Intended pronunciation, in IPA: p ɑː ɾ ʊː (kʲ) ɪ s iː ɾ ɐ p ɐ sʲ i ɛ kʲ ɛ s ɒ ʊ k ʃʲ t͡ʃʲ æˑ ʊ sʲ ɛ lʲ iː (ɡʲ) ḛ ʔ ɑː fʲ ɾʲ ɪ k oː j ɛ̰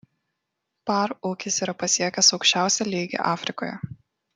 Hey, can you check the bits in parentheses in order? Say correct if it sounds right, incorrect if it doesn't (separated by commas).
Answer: correct, correct